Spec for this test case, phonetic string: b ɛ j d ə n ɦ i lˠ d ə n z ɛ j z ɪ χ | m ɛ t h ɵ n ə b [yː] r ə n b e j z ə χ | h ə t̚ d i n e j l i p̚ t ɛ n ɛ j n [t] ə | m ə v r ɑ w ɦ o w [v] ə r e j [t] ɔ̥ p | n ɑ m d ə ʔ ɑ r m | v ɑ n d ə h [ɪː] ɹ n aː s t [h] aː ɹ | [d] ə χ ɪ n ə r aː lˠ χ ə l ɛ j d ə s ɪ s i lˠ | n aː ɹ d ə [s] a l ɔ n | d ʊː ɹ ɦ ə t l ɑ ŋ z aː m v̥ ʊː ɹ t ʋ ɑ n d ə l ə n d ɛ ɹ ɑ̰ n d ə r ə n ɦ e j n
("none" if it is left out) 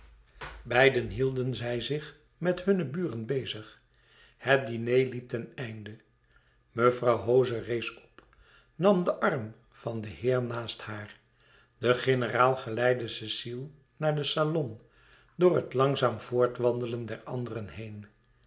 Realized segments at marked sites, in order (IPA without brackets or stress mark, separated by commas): yː, d, z, s, ɪː, h, d, s